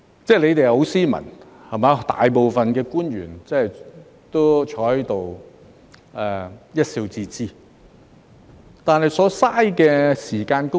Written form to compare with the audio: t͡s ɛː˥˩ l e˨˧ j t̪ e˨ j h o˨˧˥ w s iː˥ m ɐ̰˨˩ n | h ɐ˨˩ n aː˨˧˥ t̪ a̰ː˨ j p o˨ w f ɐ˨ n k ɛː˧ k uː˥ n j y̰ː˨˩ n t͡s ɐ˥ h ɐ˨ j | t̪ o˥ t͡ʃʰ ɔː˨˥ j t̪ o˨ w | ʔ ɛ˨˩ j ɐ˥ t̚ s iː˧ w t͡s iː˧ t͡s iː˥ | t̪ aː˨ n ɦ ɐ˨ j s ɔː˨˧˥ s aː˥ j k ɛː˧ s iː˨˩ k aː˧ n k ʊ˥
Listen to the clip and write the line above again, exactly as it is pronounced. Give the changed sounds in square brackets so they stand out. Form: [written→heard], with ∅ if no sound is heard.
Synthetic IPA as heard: t͡s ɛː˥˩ l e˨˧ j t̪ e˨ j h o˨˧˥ w s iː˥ m ɐ̰˨˩ n | h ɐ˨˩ [n→m] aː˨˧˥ t̪ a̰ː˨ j p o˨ w f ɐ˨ n k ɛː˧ k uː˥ n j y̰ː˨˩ n t͡s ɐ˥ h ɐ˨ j | t̪ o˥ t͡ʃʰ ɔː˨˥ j t̪ o˨ w | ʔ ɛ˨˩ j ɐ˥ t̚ s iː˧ w t͡s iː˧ t͡s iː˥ | t̪ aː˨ n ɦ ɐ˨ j s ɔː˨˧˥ s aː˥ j k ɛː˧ s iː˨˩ k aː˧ n k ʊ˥